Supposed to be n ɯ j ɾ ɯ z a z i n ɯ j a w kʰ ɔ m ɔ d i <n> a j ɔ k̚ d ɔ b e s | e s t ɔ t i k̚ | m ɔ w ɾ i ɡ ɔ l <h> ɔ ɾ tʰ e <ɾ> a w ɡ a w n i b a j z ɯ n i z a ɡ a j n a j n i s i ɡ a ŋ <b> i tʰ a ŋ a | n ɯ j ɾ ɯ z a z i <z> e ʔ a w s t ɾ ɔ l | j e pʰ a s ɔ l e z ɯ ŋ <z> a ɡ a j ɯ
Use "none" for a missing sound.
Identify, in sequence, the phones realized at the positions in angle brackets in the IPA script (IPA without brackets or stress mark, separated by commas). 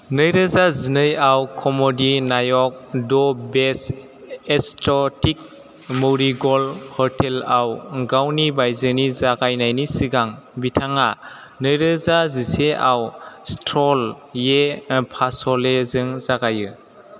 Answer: n, h, l, b, s, z